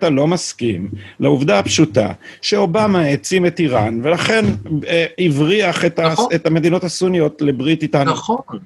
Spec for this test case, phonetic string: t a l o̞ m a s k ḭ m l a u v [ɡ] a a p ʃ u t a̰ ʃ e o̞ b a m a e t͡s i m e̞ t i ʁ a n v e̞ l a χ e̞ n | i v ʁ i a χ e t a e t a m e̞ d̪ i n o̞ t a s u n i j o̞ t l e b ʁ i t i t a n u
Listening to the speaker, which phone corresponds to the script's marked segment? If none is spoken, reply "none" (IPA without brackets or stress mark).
d